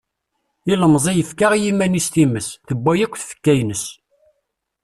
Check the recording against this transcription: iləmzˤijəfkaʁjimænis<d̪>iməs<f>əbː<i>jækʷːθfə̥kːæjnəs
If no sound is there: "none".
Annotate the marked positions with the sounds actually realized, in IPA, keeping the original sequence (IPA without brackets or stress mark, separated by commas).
t̪, θ, æ